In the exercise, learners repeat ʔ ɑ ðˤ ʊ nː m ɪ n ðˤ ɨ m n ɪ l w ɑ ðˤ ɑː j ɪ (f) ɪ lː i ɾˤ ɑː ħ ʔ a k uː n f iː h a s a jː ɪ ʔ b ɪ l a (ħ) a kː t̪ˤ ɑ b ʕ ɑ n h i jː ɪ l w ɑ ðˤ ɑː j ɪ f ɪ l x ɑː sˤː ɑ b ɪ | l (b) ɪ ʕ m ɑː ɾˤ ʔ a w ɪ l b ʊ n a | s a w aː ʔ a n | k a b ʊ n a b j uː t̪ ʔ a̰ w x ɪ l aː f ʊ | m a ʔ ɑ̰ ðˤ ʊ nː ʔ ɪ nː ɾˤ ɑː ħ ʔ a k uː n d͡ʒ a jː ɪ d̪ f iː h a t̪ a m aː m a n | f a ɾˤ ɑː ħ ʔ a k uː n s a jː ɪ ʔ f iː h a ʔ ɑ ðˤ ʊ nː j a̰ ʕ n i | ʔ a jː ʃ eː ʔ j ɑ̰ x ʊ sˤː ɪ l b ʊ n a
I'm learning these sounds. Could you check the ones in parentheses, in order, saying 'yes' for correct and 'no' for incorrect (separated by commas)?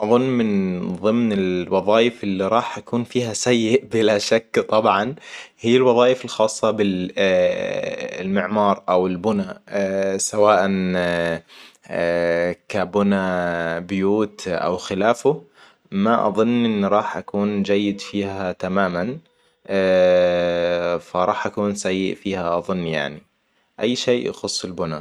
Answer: yes, no, no